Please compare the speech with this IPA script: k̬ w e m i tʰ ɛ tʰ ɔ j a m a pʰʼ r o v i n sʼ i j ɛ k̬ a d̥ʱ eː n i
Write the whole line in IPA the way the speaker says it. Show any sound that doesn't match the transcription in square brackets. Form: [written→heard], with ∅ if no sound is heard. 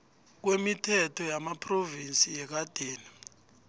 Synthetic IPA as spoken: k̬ w e m i tʰ ɛ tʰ ɔ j a m a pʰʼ r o v i n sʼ i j ɛ k̬ a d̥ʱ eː n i